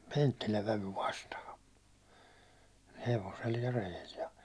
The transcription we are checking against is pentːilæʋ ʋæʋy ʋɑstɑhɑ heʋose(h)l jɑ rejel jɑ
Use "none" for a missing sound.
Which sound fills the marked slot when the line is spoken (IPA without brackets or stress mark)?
none